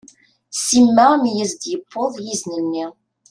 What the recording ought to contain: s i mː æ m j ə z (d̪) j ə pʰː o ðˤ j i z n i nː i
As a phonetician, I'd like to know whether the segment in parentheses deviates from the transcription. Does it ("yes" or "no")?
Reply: no